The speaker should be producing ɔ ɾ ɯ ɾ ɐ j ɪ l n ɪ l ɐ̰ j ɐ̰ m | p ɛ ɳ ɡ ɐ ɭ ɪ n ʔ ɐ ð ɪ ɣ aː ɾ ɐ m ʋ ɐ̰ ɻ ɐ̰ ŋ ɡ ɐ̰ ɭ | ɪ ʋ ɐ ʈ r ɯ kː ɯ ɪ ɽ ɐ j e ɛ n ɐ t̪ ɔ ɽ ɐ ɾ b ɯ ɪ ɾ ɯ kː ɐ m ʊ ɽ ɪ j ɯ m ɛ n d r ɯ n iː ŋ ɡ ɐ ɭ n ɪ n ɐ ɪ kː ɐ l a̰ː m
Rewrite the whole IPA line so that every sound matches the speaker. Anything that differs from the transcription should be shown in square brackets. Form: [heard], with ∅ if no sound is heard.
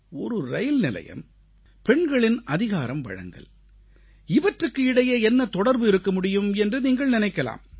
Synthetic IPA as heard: ɔ ɾ ɯ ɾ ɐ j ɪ l n ɪ l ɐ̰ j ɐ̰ m | p ɛ ɳ ɡ ɐ ɭ ɪ n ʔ ɐ ð ɪ ɣ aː ɾ ɐ m ʋ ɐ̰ ɻ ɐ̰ ŋ ɡ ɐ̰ ɭ | ɪ ʋ ɐ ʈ r ɯ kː ɯ ɪ ɽ ɐ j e ɛ [nː] ɐ t̪ ɔ ɽ ɐ ɾ b ɯ ɪ ɾ ɯ kː ɐ m ʊ ɽ ɪ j ɯ m ɛ n d r ɯ n iː ŋ ɡ ɐ ɭ n ɪ n ɐ ɪ kː ɐ l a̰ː m